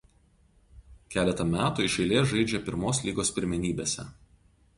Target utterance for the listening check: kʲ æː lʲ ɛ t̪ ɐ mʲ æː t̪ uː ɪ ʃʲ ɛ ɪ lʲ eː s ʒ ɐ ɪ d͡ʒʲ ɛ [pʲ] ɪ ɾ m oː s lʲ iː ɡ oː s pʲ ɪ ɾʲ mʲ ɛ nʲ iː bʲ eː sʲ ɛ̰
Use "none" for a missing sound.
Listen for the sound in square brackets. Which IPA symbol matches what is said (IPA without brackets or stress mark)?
pʲ